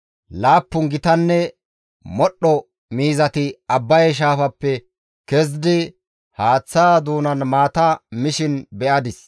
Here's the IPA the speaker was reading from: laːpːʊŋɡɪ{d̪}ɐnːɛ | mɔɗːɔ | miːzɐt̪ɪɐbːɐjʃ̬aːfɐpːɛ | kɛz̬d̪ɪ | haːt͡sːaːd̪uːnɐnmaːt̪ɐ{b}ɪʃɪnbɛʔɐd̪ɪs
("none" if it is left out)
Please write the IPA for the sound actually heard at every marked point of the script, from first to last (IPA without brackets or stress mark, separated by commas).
t̪, m